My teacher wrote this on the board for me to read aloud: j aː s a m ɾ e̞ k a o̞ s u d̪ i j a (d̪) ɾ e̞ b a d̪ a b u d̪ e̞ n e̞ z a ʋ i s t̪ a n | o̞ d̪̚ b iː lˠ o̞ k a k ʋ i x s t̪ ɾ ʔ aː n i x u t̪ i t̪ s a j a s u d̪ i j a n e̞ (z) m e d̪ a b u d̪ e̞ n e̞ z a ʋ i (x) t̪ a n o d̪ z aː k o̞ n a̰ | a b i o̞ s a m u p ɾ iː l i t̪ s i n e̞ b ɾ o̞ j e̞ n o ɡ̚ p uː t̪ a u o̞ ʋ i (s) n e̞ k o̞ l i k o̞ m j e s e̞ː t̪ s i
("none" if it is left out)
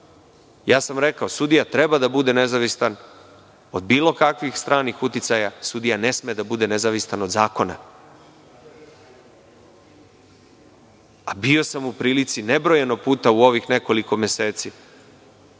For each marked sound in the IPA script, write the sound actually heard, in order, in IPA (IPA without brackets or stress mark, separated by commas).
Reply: t̪, s, s, x